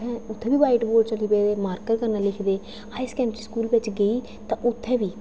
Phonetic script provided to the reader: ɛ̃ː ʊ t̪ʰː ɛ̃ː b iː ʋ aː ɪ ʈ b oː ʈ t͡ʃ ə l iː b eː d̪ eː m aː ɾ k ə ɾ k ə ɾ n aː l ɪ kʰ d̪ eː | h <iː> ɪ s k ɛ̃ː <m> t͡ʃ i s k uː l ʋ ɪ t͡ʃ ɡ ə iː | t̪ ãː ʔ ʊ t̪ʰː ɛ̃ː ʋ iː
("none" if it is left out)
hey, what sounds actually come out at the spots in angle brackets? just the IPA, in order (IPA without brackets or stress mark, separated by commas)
aː, m